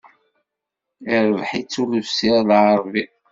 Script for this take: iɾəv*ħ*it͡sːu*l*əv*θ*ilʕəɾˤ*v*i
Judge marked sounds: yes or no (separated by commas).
yes, yes, no, yes